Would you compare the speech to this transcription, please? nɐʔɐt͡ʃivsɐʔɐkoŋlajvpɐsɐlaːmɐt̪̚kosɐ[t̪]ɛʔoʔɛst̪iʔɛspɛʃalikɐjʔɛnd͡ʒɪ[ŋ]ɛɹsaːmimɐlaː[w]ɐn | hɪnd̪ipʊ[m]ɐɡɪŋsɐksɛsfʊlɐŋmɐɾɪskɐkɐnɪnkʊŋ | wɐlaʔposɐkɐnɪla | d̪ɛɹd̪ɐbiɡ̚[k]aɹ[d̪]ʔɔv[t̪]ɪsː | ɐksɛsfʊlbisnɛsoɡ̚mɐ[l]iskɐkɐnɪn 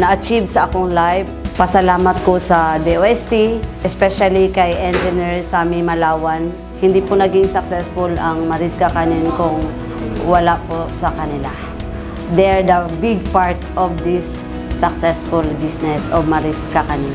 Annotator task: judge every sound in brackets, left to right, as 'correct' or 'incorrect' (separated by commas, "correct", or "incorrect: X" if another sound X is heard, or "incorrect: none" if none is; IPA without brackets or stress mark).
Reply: incorrect: d̪, incorrect: n, correct, incorrect: n, incorrect: p, incorrect: t̪, incorrect: d̪, incorrect: ɾ